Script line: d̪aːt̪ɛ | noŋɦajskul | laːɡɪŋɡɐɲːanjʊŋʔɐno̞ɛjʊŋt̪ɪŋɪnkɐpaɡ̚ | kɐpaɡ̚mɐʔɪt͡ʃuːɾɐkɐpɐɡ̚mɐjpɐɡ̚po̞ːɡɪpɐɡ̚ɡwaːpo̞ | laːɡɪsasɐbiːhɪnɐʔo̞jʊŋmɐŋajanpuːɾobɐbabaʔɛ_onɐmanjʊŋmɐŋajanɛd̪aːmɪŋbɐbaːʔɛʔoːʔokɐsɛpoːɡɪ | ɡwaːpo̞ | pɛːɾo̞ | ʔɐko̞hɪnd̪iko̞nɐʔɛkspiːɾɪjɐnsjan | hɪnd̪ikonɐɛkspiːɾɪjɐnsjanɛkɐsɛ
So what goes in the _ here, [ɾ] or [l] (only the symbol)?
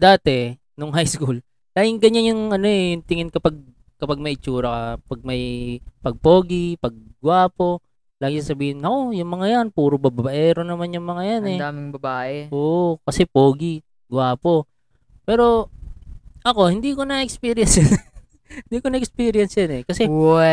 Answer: ɾ